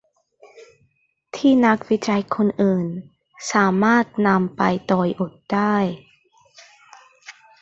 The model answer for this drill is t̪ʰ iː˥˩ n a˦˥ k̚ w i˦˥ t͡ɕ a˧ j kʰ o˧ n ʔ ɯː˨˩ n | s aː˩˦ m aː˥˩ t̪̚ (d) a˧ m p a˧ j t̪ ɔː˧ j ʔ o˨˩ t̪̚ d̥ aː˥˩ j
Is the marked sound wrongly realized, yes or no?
yes